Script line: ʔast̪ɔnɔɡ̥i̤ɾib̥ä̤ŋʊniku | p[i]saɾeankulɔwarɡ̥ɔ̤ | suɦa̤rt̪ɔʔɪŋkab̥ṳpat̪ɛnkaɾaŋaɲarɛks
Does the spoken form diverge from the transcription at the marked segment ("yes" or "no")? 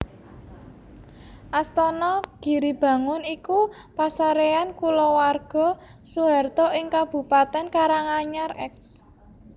yes